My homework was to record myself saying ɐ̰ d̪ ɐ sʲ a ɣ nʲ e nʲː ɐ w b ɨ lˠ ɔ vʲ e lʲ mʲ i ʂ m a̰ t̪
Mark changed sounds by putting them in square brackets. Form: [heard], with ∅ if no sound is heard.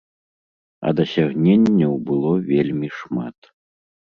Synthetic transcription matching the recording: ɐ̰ d̪ ɐ sʲ a ɣ nʲ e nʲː ɐ w b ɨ lˠ ɔ vʲ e lʲ mʲ i ʂ m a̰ t̪